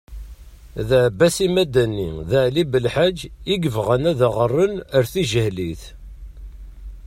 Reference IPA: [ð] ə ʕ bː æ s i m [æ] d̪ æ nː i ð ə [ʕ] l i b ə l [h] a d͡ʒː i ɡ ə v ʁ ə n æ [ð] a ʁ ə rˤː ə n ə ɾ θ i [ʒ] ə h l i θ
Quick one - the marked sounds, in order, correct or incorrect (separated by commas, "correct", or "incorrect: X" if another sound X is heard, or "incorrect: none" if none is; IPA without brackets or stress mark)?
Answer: correct, correct, correct, incorrect: ħ, correct, correct